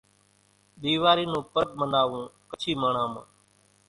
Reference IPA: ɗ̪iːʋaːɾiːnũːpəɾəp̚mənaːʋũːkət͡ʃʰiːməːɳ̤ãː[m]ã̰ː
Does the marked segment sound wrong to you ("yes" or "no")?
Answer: no